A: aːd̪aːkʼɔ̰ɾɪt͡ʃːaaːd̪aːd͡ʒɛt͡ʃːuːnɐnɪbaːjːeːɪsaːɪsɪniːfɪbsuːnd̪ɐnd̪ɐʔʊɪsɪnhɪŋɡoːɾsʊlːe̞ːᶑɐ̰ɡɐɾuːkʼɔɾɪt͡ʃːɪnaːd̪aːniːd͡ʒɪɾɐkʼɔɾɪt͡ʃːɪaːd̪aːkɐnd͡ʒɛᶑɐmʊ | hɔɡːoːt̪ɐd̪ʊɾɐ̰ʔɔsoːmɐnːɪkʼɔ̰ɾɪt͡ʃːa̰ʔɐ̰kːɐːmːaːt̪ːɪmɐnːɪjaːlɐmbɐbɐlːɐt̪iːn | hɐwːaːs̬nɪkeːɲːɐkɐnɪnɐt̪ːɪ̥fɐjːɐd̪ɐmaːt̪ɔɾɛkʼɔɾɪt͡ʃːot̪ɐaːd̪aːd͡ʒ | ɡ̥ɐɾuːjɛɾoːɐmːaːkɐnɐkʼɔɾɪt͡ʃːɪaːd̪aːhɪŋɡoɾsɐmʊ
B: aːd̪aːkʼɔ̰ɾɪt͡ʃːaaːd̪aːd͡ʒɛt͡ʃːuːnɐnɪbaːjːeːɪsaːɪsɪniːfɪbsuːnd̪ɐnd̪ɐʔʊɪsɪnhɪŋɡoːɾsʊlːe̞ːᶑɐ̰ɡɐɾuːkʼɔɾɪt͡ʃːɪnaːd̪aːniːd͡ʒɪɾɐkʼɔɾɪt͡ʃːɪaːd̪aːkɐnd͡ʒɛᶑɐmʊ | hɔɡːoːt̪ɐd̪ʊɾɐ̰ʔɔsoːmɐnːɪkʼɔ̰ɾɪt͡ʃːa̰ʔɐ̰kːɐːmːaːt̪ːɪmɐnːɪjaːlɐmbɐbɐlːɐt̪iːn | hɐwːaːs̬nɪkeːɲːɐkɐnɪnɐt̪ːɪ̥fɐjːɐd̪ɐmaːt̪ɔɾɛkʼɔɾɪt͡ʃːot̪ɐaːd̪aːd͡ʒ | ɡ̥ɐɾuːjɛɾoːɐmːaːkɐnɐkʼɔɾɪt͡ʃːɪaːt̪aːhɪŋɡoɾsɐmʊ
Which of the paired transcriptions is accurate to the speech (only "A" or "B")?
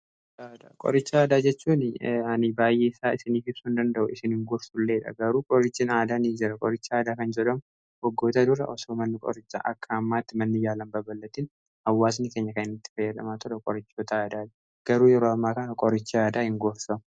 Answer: A